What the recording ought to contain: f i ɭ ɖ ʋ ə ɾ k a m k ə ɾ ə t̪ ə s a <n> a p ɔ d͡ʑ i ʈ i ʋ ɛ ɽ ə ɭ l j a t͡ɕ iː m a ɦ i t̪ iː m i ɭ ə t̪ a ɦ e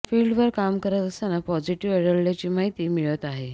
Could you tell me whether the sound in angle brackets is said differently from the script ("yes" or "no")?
no